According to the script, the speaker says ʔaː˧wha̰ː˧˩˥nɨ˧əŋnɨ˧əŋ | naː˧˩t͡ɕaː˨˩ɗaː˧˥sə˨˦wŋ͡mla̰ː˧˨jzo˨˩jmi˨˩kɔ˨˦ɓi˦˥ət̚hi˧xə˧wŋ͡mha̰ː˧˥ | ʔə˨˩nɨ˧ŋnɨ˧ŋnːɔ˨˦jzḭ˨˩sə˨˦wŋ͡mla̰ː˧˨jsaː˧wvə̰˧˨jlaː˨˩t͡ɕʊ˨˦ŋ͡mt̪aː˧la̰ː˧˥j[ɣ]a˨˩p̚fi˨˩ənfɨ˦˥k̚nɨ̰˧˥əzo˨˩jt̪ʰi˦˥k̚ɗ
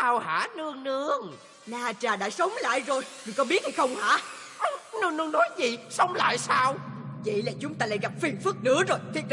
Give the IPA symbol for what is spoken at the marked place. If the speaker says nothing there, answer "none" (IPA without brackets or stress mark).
ɣ